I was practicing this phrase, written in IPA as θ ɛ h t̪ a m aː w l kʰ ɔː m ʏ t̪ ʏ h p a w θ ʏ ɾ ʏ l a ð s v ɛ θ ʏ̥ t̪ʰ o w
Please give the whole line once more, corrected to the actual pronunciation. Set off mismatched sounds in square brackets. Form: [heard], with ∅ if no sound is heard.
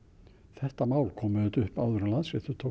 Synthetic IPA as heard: θ ɛ h t̪ a m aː w l kʰ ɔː m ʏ t̪ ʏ h p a w [ð] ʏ ɾ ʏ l a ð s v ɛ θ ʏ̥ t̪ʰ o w